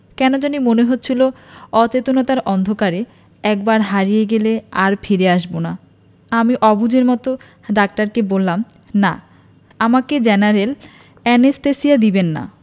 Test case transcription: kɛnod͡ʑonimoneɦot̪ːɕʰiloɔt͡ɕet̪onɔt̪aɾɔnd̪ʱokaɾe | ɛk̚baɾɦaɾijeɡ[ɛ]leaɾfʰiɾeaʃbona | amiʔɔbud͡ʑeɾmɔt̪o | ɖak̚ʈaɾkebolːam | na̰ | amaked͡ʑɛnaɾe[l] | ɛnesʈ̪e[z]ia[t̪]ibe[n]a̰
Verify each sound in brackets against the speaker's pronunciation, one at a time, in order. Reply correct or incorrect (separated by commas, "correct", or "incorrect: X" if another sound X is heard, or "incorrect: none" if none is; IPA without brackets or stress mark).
incorrect: e, correct, incorrect: s, incorrect: d̪, incorrect: nː